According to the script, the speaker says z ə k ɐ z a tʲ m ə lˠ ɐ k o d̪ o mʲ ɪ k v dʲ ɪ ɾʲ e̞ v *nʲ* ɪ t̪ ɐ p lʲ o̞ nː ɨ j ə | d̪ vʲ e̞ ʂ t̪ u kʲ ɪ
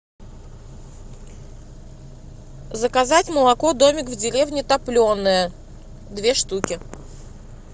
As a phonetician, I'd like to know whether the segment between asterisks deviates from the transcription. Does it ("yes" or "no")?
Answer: no